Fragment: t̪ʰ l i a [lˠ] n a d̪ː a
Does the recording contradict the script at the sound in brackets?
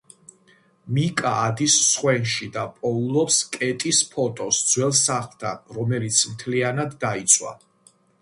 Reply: yes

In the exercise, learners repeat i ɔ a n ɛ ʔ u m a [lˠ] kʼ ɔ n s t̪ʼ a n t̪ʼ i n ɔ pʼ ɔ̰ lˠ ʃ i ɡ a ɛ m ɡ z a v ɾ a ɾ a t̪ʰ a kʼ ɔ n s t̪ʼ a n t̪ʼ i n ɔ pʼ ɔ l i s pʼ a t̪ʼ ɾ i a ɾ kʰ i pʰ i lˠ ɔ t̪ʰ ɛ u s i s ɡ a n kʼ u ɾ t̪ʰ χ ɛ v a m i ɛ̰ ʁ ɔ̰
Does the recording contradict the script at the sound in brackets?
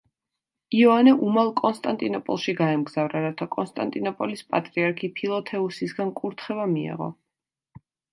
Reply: no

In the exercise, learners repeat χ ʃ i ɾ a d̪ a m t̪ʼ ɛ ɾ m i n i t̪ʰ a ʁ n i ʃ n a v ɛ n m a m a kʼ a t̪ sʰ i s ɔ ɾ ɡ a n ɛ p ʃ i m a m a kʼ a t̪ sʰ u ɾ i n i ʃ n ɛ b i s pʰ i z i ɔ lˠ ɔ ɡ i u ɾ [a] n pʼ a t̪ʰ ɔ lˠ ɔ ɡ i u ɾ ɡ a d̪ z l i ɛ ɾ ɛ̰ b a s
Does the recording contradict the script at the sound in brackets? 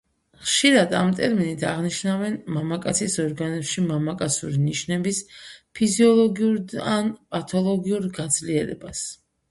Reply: no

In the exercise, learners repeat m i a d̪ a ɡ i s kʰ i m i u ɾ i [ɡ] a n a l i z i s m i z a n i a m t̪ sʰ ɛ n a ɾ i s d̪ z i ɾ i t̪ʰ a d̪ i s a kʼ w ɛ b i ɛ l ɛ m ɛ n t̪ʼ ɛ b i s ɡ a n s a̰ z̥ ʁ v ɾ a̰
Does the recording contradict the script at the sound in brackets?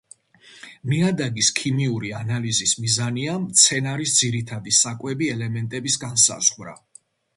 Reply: yes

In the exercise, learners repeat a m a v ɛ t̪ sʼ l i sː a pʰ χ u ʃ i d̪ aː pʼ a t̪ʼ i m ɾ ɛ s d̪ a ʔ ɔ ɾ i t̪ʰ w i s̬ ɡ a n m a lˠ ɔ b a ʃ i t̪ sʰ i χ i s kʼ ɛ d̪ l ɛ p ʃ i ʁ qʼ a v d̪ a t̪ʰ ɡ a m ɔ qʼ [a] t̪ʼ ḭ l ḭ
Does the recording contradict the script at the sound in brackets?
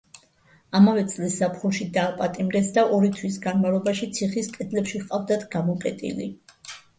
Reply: yes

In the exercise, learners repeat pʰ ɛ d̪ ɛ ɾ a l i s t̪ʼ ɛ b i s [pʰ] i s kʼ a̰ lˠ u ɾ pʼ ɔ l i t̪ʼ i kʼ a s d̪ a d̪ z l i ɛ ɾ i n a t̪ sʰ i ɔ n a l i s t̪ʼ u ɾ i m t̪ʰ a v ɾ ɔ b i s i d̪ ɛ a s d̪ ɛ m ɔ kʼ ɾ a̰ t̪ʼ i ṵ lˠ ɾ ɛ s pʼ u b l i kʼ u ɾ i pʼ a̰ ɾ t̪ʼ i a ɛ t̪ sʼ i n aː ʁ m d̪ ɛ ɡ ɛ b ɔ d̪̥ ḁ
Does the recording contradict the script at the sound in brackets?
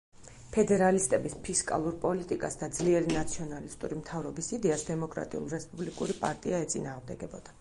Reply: no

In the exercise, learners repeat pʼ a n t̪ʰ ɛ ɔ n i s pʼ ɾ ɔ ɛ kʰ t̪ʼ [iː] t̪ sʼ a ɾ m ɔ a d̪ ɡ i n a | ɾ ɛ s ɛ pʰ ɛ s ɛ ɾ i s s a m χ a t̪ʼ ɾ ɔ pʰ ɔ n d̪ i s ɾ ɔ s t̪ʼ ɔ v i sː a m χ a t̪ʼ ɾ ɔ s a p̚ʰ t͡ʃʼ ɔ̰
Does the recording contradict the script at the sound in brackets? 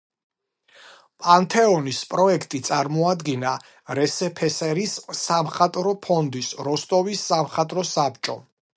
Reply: yes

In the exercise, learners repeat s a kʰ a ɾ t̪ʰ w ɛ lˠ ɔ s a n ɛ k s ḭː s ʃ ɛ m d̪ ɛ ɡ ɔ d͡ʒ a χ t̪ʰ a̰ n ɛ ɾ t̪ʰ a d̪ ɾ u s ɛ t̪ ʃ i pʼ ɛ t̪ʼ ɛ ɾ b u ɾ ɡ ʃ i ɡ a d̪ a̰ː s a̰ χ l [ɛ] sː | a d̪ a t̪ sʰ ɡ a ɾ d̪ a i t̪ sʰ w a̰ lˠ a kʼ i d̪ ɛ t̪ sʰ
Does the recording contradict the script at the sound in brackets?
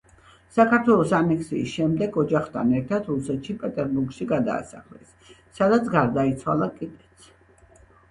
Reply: no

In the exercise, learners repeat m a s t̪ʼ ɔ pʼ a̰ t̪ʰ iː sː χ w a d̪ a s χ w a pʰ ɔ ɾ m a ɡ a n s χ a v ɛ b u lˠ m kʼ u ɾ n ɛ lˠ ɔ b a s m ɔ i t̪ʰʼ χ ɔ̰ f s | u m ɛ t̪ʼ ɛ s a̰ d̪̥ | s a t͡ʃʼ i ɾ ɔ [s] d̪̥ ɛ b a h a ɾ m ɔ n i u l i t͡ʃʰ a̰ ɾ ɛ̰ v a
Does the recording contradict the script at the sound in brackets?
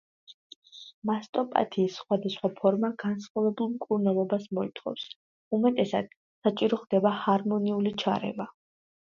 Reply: yes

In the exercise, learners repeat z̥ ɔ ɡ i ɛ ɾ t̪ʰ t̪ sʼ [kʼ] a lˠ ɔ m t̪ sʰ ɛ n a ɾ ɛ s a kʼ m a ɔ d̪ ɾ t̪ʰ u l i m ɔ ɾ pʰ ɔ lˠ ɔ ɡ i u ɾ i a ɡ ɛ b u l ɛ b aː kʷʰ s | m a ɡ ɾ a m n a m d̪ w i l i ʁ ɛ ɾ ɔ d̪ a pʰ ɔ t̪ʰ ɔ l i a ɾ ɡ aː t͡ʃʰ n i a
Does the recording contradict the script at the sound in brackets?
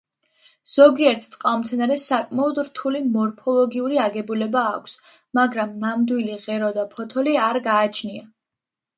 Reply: yes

